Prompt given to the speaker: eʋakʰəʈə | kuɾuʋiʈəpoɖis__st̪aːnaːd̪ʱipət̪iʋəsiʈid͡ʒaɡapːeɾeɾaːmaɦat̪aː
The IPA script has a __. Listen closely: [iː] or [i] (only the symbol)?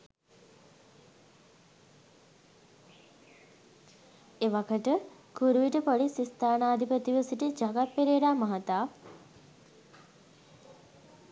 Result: i